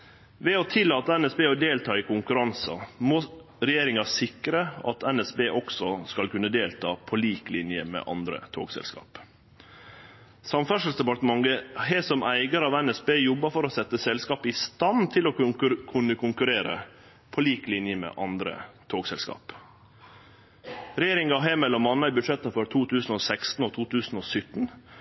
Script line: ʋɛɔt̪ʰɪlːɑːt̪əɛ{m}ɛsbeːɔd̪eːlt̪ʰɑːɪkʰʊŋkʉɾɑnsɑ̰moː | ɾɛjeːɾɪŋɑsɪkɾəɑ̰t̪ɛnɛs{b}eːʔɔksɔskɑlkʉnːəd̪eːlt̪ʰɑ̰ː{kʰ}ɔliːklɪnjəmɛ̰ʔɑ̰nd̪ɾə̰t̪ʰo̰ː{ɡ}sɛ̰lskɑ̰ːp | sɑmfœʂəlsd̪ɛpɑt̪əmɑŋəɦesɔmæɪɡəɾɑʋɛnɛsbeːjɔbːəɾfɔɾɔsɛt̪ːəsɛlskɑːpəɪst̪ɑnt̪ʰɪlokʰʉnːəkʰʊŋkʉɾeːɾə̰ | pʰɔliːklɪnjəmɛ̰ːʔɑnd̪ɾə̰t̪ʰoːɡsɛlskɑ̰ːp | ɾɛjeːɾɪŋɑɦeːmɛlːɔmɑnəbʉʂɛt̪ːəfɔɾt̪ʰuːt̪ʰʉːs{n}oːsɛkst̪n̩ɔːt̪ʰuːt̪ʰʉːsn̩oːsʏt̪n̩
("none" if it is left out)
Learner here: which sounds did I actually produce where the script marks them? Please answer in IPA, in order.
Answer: n, b, pʰ, ɡ, n

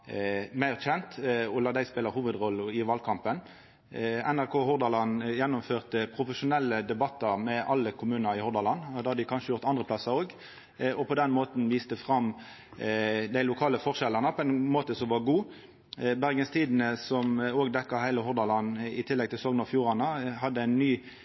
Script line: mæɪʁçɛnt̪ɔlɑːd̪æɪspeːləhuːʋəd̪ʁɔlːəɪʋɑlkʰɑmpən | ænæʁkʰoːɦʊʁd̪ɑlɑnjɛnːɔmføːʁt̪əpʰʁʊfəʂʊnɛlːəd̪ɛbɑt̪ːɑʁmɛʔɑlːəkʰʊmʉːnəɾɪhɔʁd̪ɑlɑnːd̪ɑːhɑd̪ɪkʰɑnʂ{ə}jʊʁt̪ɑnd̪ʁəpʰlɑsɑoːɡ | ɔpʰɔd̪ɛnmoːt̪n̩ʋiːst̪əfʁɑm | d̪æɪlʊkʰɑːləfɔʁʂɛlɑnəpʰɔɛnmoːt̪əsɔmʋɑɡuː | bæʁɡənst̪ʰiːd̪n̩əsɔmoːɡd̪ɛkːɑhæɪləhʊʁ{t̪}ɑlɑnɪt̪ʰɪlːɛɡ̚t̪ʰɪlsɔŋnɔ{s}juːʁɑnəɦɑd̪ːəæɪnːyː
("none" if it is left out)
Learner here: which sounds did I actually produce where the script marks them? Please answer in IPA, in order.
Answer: ə, d̪, f

